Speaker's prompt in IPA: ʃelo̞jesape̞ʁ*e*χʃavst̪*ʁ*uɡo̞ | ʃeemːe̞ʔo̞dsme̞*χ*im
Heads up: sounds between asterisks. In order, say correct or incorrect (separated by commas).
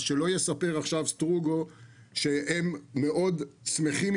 incorrect, correct, correct